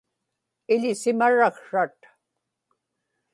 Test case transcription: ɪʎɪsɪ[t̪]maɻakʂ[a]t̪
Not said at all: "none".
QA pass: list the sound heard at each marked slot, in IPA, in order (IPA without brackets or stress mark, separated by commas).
none, a